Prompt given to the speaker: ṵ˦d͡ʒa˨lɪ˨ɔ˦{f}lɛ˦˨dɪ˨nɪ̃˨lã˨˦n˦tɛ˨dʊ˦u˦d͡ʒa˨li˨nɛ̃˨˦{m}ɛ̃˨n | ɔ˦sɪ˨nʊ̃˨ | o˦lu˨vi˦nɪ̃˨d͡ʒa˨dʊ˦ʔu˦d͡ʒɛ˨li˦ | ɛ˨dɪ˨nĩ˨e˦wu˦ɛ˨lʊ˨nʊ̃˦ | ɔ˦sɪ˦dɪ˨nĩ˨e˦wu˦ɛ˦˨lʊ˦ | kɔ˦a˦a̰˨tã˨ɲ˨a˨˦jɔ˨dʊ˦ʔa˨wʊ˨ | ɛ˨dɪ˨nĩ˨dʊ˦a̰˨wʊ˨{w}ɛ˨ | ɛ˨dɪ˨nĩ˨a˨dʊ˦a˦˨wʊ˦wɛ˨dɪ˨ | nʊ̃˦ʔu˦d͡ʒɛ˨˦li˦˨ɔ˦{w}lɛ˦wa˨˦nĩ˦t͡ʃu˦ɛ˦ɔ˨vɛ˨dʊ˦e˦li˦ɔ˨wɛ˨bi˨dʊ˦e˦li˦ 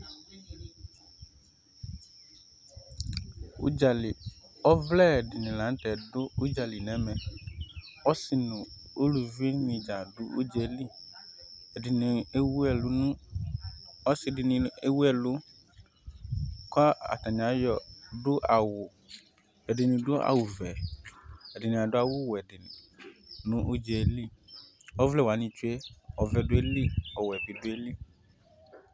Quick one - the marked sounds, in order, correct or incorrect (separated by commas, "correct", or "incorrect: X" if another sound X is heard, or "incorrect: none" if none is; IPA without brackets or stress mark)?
incorrect: v, correct, incorrect: v, incorrect: v